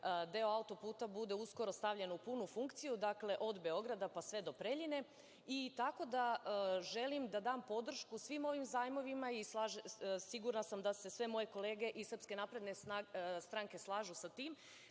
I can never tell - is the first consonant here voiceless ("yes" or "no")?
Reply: no